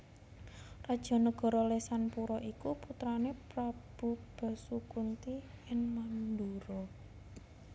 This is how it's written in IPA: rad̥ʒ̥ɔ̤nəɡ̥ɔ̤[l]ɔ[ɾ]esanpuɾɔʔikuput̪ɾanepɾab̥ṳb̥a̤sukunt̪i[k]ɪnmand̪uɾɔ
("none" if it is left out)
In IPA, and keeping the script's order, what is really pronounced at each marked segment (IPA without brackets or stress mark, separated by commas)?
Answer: ɾ, l, none